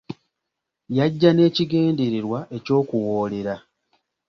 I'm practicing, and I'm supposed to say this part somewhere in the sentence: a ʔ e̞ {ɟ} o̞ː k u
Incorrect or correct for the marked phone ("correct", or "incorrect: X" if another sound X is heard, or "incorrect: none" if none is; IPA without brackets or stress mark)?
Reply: incorrect: c